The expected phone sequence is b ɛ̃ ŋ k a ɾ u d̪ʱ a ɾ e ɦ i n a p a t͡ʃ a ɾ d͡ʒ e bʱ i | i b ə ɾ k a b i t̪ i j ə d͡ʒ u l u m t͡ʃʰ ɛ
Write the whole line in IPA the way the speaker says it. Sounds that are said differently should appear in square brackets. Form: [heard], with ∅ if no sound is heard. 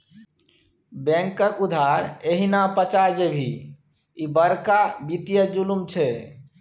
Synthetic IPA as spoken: b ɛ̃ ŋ k [ə] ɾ u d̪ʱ a ɾ e ɦ i n a p [ə] t͡ʃ a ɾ d͡ʒ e bʱ i | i b ə ɾ k a b i t̪ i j ə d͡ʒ u l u m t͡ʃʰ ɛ